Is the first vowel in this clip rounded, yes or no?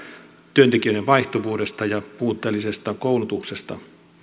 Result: yes